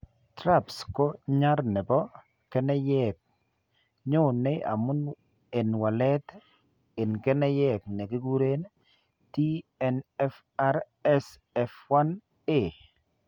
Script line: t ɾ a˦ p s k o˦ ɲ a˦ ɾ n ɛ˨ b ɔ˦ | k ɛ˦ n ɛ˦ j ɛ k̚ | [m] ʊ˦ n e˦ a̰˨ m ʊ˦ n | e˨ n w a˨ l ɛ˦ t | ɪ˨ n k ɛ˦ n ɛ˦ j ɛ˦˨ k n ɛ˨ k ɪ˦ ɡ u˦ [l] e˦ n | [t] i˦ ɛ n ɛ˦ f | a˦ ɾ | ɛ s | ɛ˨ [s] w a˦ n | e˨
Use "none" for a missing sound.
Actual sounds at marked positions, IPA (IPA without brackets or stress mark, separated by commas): ɲ, ɾ, t, f